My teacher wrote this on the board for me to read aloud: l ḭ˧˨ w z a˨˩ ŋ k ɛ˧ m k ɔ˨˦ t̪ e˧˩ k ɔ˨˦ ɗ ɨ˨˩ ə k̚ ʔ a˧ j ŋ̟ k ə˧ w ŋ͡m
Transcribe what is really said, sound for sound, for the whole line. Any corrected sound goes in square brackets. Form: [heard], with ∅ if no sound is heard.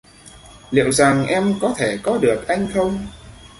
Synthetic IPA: l ḭ˧˨ w z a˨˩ ŋ [ʔ] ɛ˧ m k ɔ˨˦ [t̪ʰ] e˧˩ k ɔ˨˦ ɗ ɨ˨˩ ə k̚ ʔ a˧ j ŋ̟ [x] ə˧ w ŋ͡m